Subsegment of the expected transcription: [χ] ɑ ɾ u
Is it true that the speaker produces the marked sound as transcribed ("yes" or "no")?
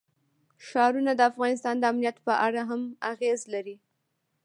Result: no